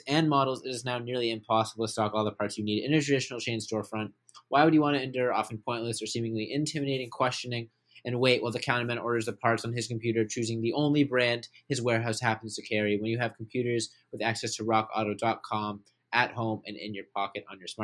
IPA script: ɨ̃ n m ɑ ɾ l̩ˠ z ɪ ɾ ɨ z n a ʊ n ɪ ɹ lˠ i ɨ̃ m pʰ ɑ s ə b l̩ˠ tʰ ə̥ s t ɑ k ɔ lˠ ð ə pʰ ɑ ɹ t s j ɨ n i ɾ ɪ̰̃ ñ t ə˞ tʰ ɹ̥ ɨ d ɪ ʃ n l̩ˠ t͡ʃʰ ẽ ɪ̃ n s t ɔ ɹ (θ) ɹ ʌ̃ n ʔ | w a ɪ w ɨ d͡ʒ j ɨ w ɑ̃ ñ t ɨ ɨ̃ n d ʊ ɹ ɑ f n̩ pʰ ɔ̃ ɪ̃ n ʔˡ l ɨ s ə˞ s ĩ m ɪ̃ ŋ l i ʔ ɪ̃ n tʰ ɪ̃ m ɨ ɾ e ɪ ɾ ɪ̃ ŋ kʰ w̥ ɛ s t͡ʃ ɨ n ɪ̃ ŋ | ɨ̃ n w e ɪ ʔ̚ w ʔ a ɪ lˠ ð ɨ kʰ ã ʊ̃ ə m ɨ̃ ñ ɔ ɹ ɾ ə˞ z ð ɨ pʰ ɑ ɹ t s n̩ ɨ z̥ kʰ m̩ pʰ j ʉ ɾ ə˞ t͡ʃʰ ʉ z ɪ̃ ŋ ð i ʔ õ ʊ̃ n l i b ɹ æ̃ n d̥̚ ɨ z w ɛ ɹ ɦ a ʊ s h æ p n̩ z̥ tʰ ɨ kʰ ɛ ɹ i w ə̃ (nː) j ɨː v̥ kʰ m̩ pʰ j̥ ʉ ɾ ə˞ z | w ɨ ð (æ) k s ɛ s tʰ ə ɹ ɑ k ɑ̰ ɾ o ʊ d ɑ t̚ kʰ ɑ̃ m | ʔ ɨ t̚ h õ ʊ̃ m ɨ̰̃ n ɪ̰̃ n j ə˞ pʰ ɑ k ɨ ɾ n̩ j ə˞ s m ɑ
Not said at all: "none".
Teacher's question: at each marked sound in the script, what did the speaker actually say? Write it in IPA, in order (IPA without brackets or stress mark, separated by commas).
f, n, æ